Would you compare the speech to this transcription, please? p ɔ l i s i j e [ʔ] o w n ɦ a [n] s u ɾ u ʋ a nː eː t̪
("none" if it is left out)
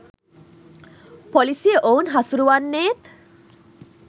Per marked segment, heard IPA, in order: ʔ, none

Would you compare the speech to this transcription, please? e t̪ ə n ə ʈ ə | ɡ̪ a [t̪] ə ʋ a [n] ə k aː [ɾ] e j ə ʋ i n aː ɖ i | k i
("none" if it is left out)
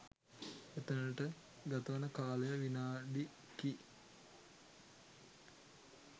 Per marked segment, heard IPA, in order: t̪, n, l

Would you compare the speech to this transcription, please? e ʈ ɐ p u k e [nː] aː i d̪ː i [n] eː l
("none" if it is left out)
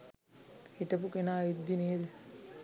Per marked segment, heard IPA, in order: n, n

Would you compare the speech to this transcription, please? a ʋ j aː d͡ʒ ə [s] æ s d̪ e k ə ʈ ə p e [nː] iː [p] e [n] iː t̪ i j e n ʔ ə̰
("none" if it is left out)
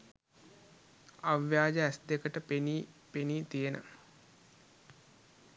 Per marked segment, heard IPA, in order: none, n, p, n

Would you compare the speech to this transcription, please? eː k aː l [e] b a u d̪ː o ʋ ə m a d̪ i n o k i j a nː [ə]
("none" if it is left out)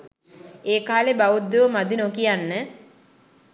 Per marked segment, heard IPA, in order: e, ə

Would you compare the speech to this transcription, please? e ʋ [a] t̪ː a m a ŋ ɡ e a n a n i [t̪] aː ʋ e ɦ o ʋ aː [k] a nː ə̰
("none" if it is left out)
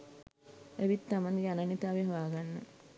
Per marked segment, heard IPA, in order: i, t̪, ɡ

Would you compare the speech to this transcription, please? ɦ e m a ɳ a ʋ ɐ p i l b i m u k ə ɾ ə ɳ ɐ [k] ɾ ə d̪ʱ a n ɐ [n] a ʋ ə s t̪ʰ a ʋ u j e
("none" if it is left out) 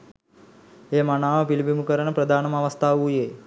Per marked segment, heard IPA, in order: p, m

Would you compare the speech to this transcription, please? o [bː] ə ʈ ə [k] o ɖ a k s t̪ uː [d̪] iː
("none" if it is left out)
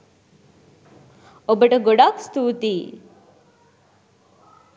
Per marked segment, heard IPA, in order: b, ɡ, t̪

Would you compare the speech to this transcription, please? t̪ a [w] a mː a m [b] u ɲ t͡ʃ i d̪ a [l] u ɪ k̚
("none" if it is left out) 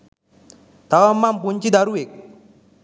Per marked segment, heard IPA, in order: w, p, ɾ

